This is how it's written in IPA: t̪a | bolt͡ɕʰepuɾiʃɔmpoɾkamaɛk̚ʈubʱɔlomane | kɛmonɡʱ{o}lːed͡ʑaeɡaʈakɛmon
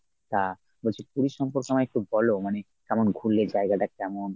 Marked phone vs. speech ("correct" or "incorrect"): incorrect